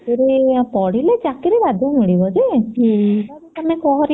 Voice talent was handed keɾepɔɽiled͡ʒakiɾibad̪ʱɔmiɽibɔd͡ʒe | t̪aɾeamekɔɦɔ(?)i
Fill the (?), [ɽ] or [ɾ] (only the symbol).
ɾ